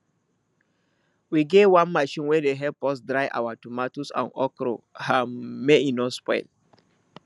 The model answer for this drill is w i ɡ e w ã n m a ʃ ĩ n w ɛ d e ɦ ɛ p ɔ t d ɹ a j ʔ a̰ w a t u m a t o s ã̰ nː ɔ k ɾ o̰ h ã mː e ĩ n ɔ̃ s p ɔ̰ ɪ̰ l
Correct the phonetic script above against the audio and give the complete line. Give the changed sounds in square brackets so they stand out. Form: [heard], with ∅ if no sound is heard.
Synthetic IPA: w i ɡ e w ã n m a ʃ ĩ n w ɛ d e ɦ ɛ p ɔ [s] d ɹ a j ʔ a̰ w a t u m a t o s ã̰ [n] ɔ k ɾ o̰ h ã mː e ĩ n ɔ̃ s p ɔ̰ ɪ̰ l